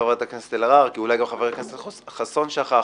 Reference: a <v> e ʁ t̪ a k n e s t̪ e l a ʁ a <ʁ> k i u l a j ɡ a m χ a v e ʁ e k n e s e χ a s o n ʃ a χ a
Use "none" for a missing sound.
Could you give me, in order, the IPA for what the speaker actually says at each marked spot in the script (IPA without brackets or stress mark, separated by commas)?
v, ʁ